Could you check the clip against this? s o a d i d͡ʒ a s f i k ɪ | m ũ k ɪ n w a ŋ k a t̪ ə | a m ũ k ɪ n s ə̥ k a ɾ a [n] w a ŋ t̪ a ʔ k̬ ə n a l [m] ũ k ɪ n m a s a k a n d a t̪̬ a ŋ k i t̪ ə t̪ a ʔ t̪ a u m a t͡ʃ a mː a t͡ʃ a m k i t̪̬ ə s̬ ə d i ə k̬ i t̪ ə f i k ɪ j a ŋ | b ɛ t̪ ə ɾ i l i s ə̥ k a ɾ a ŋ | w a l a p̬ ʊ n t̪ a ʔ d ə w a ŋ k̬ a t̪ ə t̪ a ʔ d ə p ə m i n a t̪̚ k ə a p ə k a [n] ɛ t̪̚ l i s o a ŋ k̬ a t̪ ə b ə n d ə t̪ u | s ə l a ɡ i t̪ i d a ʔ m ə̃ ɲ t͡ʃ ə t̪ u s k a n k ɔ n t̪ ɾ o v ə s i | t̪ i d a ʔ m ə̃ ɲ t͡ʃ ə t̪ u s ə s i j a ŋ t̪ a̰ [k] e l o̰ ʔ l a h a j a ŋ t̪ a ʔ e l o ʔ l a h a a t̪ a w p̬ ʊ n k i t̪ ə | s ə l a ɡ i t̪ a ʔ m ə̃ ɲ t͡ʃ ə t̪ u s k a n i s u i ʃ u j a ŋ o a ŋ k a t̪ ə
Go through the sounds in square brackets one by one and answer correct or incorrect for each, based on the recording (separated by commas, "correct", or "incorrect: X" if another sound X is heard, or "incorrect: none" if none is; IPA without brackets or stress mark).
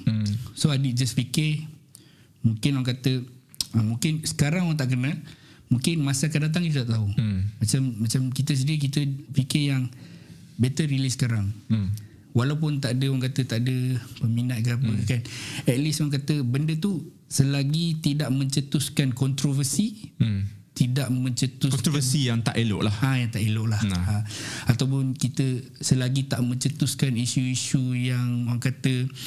incorrect: ŋ, correct, correct, incorrect: ʔ